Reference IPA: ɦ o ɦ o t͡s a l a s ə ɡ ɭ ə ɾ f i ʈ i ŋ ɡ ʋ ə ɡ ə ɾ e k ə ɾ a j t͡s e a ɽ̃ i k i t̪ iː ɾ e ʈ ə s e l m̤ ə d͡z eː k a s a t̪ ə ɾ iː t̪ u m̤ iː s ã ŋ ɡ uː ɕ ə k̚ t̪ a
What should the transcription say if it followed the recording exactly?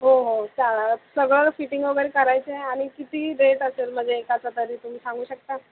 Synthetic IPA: ɦ o ɦ o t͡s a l a s ə ɡ ɭ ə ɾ f i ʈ i ŋ ɡ ʋ ə ɡ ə ɾ e k ə ɾ a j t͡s e a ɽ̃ i k i t̪ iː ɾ e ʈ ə s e l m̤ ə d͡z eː k a t͡s a t̪ ə ɾ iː t̪ u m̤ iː s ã ŋ ɡ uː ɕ ə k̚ t̪ a